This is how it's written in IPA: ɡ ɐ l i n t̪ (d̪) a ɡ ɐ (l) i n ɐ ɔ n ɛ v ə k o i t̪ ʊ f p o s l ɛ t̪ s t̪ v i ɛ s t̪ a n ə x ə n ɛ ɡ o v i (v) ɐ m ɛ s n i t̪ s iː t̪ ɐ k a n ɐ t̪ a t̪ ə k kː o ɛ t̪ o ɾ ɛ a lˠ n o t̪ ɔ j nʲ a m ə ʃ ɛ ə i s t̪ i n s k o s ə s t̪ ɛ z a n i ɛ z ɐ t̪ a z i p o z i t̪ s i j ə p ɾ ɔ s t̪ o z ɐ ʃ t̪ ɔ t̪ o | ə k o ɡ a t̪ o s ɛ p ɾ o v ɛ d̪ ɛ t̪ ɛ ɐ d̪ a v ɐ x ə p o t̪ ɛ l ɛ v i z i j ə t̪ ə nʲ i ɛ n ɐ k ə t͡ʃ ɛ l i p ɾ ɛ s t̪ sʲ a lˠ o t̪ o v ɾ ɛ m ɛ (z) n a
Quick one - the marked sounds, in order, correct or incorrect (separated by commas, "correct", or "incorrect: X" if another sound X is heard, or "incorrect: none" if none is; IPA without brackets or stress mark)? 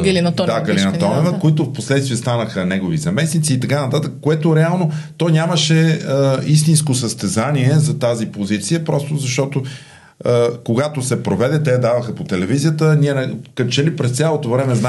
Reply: correct, correct, incorrect: z, correct